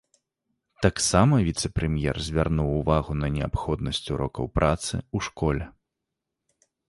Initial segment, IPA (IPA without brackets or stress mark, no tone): t̪